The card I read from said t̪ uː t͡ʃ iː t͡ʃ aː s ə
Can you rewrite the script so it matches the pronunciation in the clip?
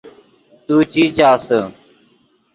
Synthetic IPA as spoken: t̪ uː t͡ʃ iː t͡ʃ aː s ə